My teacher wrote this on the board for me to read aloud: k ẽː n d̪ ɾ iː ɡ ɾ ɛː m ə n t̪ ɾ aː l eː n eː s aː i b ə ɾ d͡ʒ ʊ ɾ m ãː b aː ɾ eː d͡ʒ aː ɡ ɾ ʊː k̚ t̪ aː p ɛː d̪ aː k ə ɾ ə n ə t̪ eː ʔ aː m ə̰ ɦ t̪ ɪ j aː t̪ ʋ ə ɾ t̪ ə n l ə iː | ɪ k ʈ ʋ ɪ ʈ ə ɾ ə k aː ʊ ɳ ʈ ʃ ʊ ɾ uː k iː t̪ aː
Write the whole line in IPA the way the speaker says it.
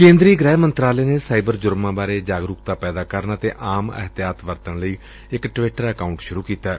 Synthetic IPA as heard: k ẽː n d̪ ɾ iː ɡ ɾ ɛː m ə n t̪ ɾ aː l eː n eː s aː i b ə ɾ d͡ʒ ʊ ɾ m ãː b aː ɾ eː d͡ʒ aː ɡ ɾ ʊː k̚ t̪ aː p ɛː d̪ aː k ə ɾ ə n ə t̪ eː ʔ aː m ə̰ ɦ t̪ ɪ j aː t̪ ʋ ə ɾ t̪ ə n l ə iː | ɪ k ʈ ʋ ɪ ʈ ə ɾ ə k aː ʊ ɳ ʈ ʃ ʊ ɾ uː k iː t̪ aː